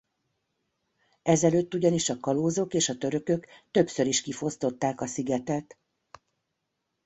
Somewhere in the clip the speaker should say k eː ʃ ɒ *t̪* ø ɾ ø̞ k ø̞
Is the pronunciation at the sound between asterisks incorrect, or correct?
correct